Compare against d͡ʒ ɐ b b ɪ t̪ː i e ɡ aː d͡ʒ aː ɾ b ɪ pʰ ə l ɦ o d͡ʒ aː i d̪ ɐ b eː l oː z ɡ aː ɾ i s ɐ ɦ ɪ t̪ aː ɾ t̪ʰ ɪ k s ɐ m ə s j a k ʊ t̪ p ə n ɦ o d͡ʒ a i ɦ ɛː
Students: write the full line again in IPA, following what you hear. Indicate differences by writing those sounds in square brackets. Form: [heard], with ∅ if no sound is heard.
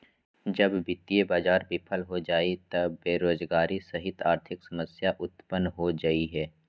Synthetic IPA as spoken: d͡ʒ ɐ b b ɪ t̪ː i e [b] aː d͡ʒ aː ɾ b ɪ pʰ ə l ɦ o d͡ʒ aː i [t̪] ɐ b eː [ɾ] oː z ɡ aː ɾ i s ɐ ɦ ɪ t̪ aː ɾ t̪ʰ ɪ k s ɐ m ə s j a [ʔ] ʊ t̪ p ə n ɦ o d͡ʒ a i ɦ ɛː

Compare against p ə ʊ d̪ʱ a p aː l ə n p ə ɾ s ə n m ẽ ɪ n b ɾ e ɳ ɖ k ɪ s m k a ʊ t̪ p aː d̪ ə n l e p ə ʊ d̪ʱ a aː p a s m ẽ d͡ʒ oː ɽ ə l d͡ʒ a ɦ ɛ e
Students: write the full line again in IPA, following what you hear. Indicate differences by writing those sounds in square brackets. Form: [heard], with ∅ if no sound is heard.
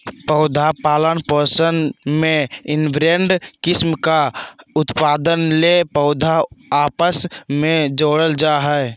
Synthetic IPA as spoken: p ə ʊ d̪ʱ a p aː l ə n p ə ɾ s ə n m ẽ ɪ n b ɾ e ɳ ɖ k ɪ s m k a ʊ t̪ p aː d̪ ə n l e p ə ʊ d̪ʱ a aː p [ə] s m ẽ d͡ʒ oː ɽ ə l d͡ʒ a ɦ ɛ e

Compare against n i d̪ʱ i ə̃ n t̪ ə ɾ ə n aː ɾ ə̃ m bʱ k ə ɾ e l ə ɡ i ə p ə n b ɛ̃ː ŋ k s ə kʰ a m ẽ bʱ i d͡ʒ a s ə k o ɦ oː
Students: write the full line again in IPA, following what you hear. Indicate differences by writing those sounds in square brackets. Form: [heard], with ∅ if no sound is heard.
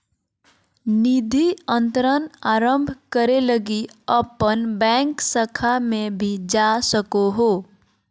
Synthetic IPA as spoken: n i d̪ʱ i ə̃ n t̪ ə ɾ ə n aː ɾ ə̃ m bʱ k ə ɾ e l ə ɡ i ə p ə n b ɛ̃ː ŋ k s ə kʰ a m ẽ bʱ i d͡ʒ a s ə k o ɦ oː

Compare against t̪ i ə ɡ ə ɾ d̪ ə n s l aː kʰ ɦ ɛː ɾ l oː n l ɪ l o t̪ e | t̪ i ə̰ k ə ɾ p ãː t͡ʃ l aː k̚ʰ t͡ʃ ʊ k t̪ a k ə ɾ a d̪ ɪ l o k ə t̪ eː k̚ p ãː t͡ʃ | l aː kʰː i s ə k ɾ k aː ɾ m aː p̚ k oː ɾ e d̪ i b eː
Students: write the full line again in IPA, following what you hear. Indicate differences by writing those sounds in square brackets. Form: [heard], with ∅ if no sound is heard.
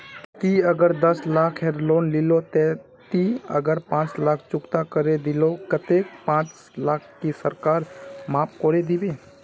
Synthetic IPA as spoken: t̪ i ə ɡ ə ɾ d̪ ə [∅] s l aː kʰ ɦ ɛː ɾ l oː n l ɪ l o t̪ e | t̪ i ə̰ [ɡ] ə ɾ p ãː t͡ʃ l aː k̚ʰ t͡ʃ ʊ k t̪ a k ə ɾ [e] d̪ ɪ l o k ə t̪ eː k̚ p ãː t͡ʃ | l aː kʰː i s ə [∅] ɾ k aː ɾ m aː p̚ k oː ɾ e d̪ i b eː

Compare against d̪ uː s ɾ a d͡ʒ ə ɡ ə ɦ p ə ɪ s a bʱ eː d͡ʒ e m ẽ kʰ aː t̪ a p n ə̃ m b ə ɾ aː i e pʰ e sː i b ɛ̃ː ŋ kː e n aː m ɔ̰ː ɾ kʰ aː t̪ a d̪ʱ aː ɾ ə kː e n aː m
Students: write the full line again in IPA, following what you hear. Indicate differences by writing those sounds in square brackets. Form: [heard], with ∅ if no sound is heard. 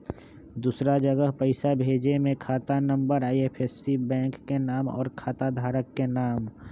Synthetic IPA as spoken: d̪ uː s ɾ a d͡ʒ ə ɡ ə ɦ p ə ɪ s a bʱ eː d͡ʒ e m ẽ kʰ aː t̪ a [∅] n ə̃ m b ə ɾ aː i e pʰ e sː i b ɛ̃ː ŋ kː e n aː m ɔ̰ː ɾ kʰ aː t̪ a d̪ʱ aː ɾ ə kː e n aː m

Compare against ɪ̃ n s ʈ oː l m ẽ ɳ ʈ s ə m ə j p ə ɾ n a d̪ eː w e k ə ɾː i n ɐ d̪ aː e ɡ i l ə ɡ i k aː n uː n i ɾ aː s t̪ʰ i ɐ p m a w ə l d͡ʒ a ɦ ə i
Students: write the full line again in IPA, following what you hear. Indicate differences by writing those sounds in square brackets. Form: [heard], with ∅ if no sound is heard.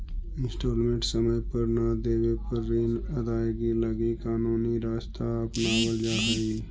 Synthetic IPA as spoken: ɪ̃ n s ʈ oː l m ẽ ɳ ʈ s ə m ə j p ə ɾ n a d̪ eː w e [p] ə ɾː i n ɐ d̪ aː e ɡ i l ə ɡ i k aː n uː n i ɾ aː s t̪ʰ [a] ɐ p [n] a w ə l d͡ʒ a ɦ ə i

